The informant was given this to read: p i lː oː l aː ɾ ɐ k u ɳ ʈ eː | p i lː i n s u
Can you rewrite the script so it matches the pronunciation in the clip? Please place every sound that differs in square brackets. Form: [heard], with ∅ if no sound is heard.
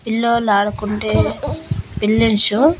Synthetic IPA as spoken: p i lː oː l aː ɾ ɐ k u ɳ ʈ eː | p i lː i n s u